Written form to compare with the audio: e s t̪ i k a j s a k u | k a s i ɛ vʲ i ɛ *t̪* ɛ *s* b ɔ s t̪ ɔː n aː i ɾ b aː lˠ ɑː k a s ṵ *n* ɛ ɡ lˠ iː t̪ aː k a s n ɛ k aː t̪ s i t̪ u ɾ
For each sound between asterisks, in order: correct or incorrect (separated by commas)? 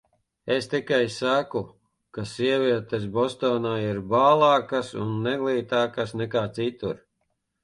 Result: correct, correct, incorrect